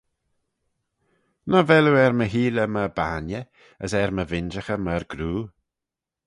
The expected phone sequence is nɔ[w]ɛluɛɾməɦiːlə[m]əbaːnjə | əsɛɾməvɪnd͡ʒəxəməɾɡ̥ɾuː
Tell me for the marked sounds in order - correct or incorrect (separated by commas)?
incorrect, correct